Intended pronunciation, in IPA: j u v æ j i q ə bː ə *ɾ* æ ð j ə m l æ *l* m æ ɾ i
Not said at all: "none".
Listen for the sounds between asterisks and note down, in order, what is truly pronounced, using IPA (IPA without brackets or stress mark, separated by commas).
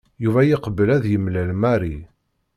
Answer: l, l